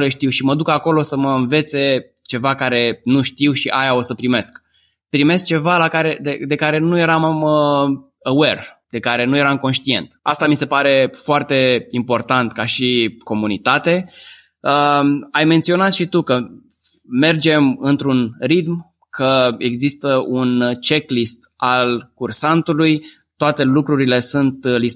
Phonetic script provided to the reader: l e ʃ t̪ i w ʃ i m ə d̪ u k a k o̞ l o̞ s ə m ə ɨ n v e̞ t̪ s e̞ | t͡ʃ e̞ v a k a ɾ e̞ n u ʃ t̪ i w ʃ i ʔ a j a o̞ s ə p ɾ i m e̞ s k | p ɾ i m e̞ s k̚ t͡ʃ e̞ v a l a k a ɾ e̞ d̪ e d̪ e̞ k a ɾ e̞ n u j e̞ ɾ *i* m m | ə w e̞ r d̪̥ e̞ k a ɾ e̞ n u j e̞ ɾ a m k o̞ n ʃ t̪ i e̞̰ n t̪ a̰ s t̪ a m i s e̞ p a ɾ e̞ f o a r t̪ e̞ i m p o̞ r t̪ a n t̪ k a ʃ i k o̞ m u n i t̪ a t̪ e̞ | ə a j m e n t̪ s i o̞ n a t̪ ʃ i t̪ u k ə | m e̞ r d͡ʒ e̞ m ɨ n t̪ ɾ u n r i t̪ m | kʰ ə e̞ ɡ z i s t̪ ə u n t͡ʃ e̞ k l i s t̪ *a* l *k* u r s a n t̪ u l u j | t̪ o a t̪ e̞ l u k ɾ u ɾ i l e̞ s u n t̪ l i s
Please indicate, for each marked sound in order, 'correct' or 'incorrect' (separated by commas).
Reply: incorrect, correct, correct